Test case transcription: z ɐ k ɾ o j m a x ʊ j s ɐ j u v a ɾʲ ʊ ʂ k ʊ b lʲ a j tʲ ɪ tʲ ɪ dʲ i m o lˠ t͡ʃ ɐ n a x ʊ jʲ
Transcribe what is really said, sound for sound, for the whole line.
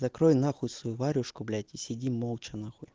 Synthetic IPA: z ɐ k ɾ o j n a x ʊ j s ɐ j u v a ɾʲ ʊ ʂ k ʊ b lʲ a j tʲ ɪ sʲ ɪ dʲ i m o lˠ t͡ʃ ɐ n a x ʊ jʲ